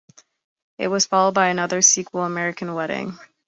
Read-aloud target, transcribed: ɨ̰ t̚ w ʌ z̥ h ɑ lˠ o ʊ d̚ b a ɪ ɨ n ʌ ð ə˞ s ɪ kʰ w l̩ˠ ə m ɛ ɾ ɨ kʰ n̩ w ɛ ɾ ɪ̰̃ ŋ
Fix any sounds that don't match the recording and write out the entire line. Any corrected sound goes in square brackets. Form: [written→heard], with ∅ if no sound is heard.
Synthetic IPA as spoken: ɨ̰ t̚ w ʌ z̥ [h→f] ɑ lˠ o ʊ d̚ b a ɪ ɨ n ʌ ð ə˞ s [ɪ→i] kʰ w l̩ˠ ə m ɛ [ɾ→ɹ] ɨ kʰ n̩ w ɛ ɾ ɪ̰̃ ŋ